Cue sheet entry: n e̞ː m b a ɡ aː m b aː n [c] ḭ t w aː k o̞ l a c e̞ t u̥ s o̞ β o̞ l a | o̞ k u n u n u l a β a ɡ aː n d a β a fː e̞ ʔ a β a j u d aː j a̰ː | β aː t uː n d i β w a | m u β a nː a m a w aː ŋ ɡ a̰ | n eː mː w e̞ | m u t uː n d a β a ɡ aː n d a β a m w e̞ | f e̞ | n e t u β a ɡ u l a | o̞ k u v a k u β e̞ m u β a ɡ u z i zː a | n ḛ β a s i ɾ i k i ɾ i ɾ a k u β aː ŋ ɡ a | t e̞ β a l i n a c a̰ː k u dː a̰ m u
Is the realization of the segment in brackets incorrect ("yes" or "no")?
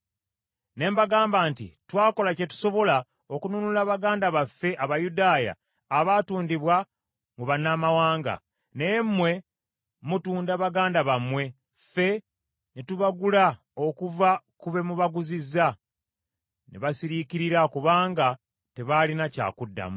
yes